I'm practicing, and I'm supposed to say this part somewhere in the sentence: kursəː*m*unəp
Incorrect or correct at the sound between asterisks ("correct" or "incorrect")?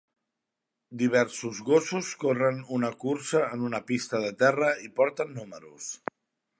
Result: incorrect